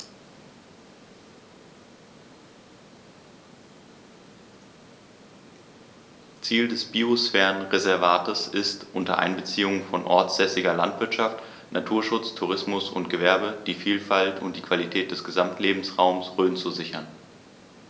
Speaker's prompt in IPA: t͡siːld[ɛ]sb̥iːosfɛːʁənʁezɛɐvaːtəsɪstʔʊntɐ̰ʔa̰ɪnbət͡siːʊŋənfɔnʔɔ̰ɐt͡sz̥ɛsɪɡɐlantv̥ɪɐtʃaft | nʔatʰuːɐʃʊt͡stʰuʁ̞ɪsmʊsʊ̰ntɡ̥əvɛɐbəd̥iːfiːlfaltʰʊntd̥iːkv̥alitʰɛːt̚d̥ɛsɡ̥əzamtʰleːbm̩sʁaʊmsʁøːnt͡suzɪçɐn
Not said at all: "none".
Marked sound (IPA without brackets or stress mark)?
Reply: ɛ